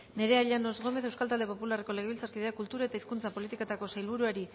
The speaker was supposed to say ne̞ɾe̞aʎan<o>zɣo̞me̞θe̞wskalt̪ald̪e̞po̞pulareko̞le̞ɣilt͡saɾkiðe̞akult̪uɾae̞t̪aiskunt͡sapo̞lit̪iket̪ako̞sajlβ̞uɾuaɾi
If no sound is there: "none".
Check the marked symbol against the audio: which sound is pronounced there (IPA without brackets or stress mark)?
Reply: o